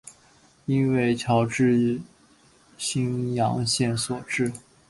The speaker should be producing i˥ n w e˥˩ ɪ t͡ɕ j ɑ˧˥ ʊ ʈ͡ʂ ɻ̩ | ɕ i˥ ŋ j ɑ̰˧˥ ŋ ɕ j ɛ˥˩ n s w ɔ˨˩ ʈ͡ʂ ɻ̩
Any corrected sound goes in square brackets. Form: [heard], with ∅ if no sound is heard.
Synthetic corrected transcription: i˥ n w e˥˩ ɪ [t͡ɕʰ] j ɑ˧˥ ʊ ʈ͡ʂ ɻ̩ | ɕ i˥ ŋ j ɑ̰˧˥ ŋ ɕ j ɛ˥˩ n s w ɔ˨˩ ʈ͡ʂ ɻ̩